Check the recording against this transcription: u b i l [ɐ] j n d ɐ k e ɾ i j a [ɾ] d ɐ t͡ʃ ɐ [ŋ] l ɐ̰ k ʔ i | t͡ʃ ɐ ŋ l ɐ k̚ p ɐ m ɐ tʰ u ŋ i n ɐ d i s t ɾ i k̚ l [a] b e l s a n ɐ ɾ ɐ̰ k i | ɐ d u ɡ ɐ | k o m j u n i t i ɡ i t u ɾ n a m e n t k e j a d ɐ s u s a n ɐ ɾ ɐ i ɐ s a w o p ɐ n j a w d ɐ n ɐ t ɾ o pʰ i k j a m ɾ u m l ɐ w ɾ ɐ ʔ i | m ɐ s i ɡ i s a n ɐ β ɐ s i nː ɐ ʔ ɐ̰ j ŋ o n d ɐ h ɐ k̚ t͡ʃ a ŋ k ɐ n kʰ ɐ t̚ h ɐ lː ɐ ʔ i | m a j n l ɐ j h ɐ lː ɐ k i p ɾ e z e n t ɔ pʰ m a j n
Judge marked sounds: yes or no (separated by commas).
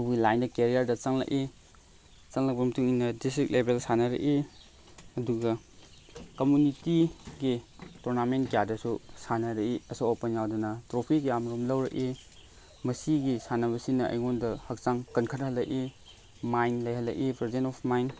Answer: no, yes, yes, no